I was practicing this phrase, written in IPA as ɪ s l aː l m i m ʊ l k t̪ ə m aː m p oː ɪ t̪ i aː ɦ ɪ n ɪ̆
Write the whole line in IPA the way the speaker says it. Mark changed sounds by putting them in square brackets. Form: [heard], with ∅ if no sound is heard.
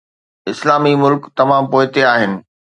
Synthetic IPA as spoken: ɪ s l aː [∅] m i m ʊ l k t̪ [ɐ] m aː m p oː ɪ t̪ [e] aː ɦ ɪ n ɪ̆